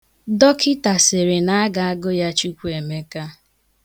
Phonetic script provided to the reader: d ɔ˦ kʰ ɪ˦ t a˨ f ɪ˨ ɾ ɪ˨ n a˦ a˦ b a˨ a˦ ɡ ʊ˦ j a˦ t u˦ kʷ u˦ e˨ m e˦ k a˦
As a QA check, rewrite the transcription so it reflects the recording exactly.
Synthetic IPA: d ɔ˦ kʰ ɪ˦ t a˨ s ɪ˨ ɾ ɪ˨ n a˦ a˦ ɡ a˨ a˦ ɡ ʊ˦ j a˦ t͡ʃ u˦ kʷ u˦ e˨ m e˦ k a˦